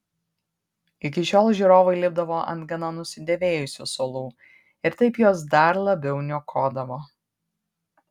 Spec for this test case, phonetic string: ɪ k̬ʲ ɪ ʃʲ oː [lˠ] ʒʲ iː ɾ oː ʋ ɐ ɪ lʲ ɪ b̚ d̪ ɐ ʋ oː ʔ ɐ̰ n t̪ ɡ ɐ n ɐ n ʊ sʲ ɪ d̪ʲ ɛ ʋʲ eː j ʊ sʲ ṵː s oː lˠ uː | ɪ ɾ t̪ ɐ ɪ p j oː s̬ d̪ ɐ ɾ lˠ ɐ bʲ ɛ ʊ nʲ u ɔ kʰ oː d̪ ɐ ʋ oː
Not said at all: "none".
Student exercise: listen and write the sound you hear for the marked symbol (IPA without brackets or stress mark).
lˠ